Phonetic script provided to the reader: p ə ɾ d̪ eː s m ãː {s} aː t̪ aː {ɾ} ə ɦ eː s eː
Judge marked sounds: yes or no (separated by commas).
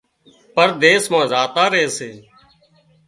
no, yes